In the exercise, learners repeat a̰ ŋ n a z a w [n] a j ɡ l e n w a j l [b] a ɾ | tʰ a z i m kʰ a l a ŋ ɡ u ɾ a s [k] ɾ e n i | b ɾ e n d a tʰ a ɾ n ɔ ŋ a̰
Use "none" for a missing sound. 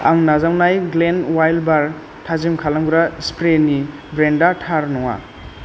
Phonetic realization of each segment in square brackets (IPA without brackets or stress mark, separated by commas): n, b, p